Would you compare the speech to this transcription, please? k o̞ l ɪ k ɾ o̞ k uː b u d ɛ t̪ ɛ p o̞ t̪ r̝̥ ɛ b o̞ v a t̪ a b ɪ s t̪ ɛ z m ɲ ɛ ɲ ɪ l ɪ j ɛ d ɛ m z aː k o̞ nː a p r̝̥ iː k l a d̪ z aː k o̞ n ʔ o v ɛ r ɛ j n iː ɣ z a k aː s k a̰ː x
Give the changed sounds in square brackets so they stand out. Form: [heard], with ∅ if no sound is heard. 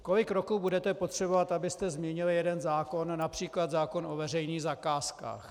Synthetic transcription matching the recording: k o̞ l ɪ k ɾ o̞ k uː b u d ɛ t̪ ɛ p o̞ t̪ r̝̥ ɛ b o̞ v a t̪ a b ɪ s t̪ ɛ z m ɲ ɛ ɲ ɪ l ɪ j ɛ d ɛ [n] z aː k o̞ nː a p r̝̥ iː k l a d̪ z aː k o̞ n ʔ o v ɛ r ɛ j n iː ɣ z a k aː s k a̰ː x